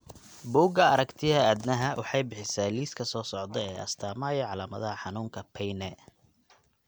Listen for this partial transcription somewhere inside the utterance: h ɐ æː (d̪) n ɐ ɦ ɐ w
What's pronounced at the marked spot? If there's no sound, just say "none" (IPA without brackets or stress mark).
d̪